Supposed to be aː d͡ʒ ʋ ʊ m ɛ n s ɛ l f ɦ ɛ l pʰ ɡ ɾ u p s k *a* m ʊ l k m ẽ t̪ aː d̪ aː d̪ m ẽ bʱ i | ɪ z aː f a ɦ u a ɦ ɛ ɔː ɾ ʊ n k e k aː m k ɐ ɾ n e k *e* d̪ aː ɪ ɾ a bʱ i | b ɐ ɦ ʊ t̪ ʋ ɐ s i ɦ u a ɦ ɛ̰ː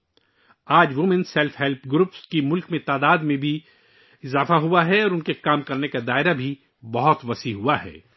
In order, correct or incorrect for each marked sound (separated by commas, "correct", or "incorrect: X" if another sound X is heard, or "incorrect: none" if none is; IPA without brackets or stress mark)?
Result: incorrect: i, incorrect: a